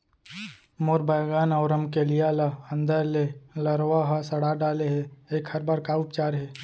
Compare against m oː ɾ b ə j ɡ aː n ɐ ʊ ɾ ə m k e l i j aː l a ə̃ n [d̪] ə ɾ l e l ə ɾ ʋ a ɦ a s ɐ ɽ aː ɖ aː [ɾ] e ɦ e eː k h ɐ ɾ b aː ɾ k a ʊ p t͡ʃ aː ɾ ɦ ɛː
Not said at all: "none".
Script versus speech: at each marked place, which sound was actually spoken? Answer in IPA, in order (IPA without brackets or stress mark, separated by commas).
d̪, l